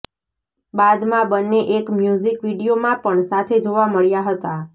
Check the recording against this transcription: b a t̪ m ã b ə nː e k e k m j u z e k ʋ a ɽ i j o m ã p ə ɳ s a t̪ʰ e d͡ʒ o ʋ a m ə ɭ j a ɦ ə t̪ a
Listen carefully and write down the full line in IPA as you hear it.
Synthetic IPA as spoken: b a d̪ m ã b ə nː e ʔ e k m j u z i k ʋ i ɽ i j o m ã p ə ɳ s a t̪ʰ e d͡ʒ o ʋ a m ə ɭ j a ɦ ə t̪ a

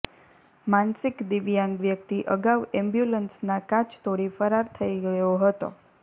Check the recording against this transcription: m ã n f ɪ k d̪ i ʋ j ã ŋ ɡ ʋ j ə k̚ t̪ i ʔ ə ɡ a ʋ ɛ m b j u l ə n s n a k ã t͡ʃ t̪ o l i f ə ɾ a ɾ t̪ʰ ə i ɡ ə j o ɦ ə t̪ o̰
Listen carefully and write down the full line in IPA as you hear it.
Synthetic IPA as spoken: m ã n s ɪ k d̪ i ʋ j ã ŋ ɡ ʋ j ə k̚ t̪ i ʔ ə ɡ a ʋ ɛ m b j u l ə n s n a k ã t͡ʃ t̪ o ɽ i f ə ɾ a ɾ t̪ʰ ə i ɡ ə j o ɦ ə t̪ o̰

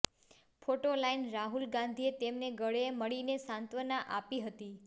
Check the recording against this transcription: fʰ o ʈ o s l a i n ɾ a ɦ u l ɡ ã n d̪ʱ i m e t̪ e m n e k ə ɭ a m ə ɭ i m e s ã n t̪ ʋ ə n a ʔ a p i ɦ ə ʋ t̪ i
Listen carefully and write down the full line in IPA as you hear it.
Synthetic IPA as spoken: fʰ o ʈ o l a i n ɾ a ɦ u l ɡ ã n d̪ʱ i e t̪ e m n e ɡ ə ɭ e m ə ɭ i n e s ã n t̪ ʋ ə n a ʔ a p i ɦ ə t̪ i

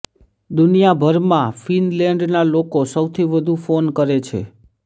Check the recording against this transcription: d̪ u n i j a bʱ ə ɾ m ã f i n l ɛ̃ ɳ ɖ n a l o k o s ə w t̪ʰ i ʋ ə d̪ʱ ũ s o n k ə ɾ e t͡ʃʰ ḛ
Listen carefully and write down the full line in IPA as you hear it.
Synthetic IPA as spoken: d̪ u n i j a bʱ ə ɾ m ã f i n l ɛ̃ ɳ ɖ n a l o k o s ə w t̪ʰ i ʋ ə d̪ʱ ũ f o n k ə ɾ e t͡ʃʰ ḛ

